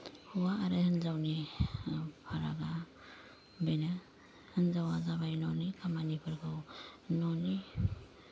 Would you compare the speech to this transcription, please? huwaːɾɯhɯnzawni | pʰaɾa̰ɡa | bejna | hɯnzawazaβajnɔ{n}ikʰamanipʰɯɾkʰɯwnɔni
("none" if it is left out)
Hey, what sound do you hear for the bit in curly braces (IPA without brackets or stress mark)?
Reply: n